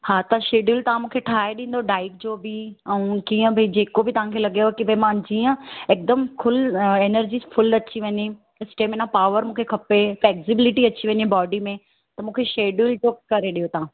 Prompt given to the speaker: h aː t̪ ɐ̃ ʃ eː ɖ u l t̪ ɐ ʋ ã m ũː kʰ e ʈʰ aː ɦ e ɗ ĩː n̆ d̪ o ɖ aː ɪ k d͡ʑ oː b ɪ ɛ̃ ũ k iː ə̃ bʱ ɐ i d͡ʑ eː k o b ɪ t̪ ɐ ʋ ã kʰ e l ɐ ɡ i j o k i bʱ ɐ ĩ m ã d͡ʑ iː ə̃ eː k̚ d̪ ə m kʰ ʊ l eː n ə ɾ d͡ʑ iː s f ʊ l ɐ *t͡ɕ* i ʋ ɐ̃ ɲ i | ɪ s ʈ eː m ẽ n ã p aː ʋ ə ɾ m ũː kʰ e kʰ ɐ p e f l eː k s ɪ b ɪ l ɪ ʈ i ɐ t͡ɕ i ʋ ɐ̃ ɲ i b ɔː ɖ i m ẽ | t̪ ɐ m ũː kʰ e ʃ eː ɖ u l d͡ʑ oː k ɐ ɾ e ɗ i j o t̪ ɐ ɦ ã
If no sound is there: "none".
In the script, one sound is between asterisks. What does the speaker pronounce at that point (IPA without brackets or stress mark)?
t͡ɕ